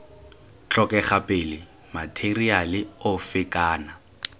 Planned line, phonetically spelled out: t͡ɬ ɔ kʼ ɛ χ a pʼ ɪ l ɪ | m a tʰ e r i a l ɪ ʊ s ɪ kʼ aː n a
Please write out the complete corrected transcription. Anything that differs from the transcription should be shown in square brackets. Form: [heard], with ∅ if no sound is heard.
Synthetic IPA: t͡ɬ ɔ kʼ ɛ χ a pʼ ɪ l ɪ | m a tʰ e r i a l ɪ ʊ [f] ɪ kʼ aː n a